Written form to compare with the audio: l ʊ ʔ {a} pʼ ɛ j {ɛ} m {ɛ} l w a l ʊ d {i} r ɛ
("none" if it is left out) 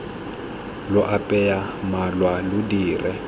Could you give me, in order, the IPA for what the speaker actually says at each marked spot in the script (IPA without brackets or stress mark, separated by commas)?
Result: a, a, a, iː